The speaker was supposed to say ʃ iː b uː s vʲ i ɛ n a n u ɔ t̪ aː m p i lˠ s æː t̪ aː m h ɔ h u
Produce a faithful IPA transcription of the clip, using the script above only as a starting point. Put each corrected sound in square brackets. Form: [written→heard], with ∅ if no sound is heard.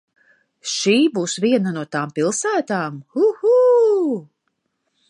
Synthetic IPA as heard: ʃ iː b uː s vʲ i ɛ n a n u ɔ t̪ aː m p i lˠ s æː t̪ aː m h [ɔ→u] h u